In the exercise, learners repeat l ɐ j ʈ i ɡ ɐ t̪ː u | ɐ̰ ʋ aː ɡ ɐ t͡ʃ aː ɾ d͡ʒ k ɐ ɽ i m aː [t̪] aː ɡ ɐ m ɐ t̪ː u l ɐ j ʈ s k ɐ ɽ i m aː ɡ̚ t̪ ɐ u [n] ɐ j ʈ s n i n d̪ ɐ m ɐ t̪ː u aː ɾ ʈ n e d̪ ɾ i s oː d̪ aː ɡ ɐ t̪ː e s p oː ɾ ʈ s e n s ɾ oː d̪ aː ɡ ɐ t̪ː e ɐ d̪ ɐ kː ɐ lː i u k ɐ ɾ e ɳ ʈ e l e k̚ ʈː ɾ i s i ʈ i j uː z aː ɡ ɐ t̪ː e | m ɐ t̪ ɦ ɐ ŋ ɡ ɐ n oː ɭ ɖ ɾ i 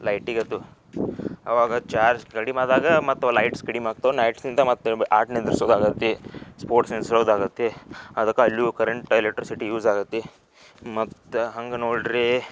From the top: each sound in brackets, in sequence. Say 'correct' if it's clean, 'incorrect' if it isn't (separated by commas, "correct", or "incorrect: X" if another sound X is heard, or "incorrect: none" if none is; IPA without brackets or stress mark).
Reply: incorrect: d̪, correct